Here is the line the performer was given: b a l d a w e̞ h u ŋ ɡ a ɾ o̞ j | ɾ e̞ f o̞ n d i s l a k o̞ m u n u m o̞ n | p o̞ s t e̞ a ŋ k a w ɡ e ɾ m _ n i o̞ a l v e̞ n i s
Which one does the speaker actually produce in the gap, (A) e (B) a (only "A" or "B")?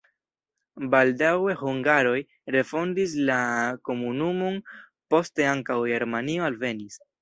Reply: B